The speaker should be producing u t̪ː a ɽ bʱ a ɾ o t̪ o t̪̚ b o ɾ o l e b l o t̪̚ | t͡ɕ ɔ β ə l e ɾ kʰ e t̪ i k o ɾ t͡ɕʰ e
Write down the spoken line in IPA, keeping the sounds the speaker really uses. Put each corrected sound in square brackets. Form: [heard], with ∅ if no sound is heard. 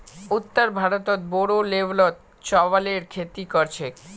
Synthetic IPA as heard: u t̪ː a [ɾ] bʱ a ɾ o t̪ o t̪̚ b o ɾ o l e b l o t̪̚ | t͡ɕ ɔ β [a] l e ɾ kʰ e t̪ i k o ɾ t͡ɕʰ e